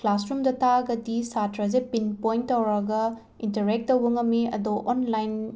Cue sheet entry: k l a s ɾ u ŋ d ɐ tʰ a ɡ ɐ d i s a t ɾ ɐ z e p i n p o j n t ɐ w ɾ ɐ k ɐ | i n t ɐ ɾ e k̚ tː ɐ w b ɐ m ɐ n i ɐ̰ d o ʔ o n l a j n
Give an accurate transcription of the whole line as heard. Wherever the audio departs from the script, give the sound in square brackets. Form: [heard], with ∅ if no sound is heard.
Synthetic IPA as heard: k l a s ɾ u [m] d ɐ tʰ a ɡ ɐ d i s a t ɾ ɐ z e p i n p o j n t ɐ w ɾ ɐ [ɡ] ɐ | i n t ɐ ɾ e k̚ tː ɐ w b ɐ [ŋ] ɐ [m] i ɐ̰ d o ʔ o n l a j n